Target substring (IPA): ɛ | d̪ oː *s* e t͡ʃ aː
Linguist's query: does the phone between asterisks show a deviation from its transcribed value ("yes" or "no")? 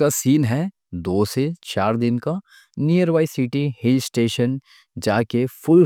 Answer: no